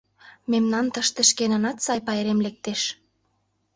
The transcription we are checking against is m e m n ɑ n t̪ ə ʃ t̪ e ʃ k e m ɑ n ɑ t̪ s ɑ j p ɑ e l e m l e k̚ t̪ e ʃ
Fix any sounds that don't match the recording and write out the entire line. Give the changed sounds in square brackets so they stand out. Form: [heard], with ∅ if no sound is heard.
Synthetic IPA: m e m n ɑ n t̪ ə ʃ t̪ e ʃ k e [n] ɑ n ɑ t̪ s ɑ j p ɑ e [ɾ] e m l e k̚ t̪ e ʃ